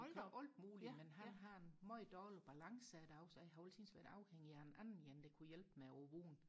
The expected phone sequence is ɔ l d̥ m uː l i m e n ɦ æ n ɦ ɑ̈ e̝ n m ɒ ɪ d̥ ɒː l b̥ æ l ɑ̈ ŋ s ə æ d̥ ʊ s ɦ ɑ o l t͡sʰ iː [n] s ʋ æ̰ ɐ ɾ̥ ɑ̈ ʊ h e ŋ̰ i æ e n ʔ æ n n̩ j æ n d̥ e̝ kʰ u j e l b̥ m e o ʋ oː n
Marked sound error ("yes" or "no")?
no